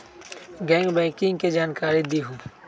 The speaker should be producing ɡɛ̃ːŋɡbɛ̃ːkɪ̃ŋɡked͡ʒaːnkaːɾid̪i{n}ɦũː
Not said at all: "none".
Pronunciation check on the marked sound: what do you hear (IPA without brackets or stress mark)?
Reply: none